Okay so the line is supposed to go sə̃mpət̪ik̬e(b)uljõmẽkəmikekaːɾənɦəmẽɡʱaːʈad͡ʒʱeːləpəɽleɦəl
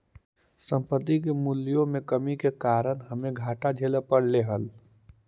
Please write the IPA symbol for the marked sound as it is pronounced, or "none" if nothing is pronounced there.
m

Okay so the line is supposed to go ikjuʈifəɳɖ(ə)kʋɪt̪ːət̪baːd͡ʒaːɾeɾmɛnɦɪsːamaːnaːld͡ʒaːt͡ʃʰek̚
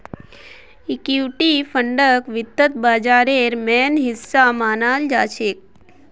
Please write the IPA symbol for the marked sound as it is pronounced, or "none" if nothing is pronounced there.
ə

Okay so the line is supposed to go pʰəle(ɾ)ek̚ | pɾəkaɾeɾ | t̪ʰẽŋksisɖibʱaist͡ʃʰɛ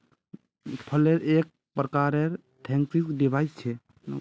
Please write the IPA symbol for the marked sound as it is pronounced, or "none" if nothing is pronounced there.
ɾ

